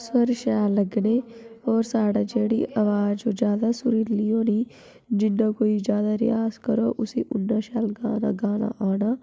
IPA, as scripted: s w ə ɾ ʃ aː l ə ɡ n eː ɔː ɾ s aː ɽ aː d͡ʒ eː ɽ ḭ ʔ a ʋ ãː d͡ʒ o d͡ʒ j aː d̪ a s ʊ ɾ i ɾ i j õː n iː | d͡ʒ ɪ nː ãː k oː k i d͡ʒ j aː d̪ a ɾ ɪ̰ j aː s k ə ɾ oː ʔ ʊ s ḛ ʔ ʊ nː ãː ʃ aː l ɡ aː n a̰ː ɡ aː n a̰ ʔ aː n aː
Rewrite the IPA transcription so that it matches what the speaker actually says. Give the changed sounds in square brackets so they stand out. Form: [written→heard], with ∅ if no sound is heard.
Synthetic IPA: s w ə ɾ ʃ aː l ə ɡ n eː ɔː ɾ s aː ɽ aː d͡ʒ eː ɽ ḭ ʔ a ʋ [ãː→aː] d͡ʒ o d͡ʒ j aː d̪ a s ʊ ɾ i [ɾ→l] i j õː n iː | d͡ʒ ɪ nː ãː k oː [k→∅] i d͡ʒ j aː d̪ a ɾ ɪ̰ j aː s k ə ɾ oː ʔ ʊ s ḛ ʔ ʊ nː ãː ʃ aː l ɡ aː n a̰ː ɡ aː n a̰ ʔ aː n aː